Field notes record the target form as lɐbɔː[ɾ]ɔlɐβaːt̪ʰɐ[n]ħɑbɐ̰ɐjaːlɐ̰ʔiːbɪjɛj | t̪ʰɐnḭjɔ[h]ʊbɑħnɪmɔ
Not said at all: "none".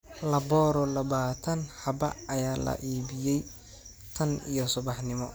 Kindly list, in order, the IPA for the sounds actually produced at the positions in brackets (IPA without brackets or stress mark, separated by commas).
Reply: ɾ, n, s